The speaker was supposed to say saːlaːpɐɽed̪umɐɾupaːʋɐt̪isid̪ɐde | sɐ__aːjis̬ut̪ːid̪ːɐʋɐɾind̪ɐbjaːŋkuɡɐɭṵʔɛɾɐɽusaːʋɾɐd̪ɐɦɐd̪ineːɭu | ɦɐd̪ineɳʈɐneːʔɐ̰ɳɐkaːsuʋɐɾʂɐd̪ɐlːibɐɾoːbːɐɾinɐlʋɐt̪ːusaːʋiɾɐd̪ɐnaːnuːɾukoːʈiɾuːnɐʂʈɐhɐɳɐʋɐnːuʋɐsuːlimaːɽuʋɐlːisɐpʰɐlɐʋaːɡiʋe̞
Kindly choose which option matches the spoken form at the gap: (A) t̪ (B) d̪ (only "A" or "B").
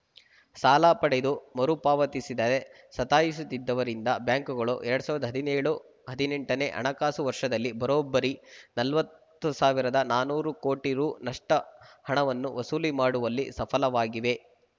A